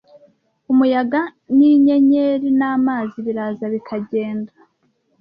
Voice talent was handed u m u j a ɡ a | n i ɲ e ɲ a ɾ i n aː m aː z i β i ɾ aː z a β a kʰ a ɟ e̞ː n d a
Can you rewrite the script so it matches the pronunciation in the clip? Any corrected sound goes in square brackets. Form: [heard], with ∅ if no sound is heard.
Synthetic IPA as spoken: u m u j a ɡ a | n i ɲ e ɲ [e] ɾ i n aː m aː z i β i ɾ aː z a β [i] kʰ a ɟ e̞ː n d a